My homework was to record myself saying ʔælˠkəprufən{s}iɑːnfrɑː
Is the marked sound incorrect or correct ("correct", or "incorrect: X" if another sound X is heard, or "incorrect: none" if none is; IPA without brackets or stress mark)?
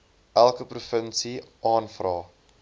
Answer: correct